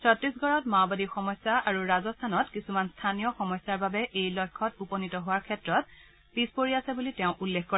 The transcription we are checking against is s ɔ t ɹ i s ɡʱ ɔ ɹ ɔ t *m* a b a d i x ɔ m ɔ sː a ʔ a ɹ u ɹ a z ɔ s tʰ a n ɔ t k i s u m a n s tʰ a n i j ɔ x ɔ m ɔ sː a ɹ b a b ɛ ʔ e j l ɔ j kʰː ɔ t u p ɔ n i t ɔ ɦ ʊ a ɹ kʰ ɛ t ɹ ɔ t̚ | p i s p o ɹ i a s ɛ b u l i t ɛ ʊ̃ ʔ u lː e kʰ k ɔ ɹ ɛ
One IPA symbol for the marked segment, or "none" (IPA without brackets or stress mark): m